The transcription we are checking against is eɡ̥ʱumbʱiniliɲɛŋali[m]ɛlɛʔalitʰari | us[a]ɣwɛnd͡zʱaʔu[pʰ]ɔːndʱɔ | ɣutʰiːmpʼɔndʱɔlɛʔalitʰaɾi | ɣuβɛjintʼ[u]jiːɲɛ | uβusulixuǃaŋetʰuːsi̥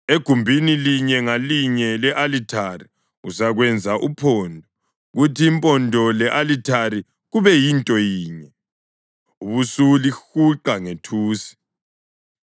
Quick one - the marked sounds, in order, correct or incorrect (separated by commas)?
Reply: incorrect, correct, correct, incorrect